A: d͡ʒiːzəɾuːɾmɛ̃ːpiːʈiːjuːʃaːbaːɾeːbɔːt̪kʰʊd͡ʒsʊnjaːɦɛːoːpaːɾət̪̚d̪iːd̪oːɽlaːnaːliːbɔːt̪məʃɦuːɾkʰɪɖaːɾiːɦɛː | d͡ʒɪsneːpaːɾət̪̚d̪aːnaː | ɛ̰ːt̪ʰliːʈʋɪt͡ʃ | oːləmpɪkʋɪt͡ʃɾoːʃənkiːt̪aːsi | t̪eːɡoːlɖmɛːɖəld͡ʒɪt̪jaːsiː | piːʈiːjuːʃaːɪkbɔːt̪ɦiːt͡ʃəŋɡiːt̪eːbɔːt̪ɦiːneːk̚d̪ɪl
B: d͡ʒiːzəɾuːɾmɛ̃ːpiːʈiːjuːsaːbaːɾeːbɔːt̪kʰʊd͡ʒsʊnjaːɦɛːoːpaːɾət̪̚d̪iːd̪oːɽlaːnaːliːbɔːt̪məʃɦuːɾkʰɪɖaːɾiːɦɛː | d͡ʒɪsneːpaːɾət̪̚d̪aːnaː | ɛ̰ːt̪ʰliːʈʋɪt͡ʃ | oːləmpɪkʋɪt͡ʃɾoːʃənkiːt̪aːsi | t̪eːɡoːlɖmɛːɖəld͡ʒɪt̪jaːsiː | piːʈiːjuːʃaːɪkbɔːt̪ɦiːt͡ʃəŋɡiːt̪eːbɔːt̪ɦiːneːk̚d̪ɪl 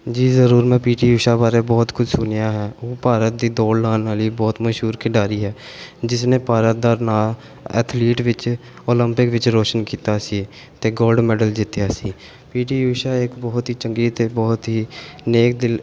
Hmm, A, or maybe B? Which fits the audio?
A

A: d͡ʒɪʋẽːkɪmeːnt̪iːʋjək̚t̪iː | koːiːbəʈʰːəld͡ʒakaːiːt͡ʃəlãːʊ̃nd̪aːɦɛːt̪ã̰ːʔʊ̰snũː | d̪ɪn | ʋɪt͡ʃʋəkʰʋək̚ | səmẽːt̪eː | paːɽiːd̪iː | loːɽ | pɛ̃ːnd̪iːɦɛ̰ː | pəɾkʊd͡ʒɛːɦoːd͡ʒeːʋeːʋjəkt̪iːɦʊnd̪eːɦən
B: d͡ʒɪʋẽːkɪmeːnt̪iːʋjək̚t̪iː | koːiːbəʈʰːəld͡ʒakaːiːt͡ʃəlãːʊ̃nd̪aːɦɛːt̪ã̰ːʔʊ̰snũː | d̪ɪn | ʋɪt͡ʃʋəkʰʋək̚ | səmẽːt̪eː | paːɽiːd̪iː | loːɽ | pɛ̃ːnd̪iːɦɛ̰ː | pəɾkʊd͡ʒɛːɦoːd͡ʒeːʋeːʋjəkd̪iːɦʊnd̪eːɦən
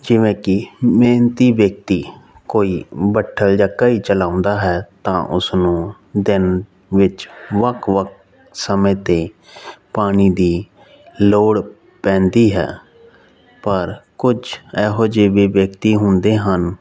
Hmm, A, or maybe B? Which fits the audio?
A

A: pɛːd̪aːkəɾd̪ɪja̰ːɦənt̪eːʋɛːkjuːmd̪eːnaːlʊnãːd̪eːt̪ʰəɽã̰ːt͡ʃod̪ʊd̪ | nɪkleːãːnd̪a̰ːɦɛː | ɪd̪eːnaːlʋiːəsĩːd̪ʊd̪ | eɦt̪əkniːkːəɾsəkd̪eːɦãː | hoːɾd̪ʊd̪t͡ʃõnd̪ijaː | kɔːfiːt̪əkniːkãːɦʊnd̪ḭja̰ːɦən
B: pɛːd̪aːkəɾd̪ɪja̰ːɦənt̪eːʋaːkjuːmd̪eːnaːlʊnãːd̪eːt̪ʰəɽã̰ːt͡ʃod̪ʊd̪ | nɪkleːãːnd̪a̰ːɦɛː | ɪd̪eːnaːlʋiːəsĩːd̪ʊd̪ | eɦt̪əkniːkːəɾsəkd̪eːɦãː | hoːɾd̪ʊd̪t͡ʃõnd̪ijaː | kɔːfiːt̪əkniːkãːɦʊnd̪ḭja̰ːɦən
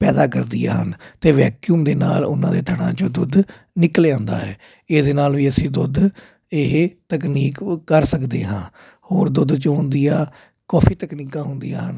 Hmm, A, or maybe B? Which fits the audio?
A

